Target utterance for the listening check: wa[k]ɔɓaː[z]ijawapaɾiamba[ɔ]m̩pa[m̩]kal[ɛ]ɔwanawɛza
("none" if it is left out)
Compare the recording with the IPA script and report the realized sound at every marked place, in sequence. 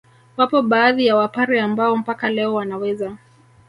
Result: p, ð, ɔ, none, ɛ

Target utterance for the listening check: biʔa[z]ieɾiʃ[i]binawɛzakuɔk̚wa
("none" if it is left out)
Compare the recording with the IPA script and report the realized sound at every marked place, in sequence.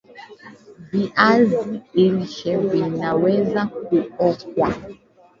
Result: z, ɛ

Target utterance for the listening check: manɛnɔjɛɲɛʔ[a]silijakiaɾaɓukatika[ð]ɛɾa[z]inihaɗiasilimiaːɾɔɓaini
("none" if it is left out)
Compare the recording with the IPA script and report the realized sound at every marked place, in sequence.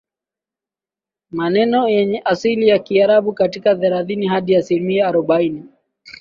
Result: a, ð, ð

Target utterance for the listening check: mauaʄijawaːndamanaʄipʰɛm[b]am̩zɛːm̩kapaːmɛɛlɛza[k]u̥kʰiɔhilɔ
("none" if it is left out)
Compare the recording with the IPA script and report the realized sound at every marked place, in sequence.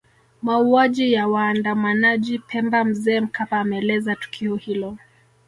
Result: b, t

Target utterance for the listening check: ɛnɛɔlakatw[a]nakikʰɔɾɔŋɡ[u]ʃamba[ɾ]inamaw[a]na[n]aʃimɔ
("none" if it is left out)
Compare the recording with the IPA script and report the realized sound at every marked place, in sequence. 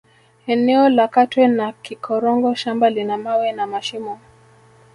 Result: ɛ, ɔ, l, ɛ, m

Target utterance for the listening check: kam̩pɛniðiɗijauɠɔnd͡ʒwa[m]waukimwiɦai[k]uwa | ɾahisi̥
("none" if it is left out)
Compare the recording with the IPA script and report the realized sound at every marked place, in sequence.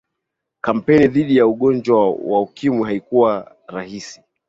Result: none, k

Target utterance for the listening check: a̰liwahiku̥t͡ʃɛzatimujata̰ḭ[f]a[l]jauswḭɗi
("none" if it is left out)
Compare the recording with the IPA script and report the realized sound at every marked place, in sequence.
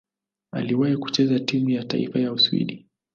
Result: f, none

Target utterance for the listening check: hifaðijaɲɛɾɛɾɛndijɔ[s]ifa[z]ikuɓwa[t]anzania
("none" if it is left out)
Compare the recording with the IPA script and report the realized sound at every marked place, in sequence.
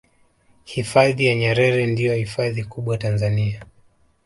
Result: h, ð, t

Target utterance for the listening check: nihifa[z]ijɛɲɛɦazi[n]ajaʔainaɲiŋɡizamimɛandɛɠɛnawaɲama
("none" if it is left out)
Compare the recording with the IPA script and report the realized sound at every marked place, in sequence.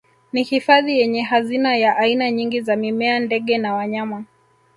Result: ð, n

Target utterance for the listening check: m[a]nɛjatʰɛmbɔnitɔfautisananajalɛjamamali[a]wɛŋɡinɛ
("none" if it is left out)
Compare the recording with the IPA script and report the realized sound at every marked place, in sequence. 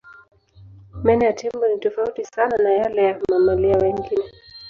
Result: ɛ, a

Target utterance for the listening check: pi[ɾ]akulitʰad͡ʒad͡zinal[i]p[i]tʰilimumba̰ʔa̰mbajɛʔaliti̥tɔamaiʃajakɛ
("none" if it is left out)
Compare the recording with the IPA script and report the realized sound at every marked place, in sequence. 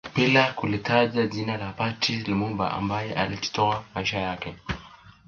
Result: l, a, a

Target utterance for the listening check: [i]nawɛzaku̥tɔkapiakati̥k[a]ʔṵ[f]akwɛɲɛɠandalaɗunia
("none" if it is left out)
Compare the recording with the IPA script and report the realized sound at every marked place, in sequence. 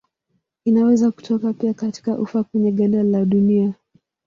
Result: i, a, f

